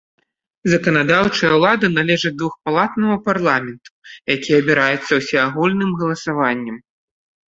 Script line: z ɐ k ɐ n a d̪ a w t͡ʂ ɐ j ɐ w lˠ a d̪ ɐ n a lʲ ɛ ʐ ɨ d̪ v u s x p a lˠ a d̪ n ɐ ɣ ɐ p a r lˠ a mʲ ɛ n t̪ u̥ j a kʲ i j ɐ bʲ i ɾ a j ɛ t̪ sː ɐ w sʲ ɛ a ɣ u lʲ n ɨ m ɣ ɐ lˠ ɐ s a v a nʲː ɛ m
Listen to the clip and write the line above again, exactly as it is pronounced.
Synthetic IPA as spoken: z ɐ k ɐ n a d̪ a w t͡ʂ ɐ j ɐ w lˠ a d̪ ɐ n a lʲ ɛ ʐ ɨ d̪ v u x p a lˠ a t̪ n ɐ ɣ ɐ p a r lˠ a mʲ ɛ n t̪ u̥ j a kʲ i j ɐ bʲ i ɾ a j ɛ t̪ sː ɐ w sʲ ɛ a ɣ u lʲ n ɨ m ɣ ɐ lˠ ɐ s a v a nʲː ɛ m